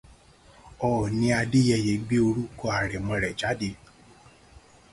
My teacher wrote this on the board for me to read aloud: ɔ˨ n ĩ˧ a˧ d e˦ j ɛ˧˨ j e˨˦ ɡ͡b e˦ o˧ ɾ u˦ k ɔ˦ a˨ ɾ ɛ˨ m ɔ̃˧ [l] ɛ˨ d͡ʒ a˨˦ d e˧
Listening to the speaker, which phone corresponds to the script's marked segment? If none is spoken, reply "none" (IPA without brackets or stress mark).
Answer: ɾ